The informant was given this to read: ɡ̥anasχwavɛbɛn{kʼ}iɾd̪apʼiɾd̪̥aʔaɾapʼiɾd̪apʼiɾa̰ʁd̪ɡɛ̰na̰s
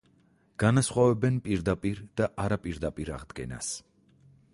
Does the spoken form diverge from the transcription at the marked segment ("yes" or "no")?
yes